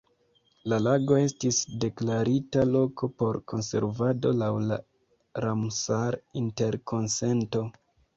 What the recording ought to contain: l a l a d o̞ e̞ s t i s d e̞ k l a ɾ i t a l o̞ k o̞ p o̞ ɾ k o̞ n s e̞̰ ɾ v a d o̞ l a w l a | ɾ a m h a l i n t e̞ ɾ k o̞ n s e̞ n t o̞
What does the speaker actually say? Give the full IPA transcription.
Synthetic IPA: l a l a ɡ o̞ e̞ s t i s d e̞ k l a ɾ i t a l o̞ k o̞ p o̞ ɾ k o̞ n s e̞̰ ɾ v a d o̞ l a w l a | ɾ a m s a ɾ i n t e̞ ɾ k o̞ n s e̞ n t o̞